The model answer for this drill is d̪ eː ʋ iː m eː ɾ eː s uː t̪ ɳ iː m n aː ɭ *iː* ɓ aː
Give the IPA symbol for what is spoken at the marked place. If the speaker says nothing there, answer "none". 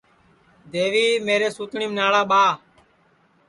aː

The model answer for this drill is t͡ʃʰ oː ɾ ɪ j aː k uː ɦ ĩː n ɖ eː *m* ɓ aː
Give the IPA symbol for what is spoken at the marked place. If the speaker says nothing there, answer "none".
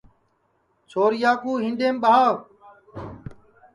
m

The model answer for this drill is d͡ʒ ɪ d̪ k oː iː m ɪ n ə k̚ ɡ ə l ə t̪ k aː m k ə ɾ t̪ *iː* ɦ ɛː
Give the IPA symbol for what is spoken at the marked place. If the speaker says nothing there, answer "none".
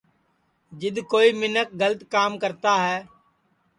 aː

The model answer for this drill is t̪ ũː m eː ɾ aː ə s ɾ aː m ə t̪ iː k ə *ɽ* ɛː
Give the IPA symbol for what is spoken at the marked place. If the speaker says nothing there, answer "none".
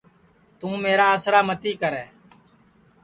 ɾ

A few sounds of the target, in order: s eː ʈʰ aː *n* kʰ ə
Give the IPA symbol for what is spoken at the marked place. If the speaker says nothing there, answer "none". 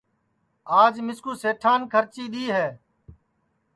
n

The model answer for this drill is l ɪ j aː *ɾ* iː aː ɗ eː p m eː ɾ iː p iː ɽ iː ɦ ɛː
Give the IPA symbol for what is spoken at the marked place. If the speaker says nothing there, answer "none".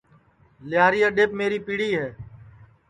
ɾ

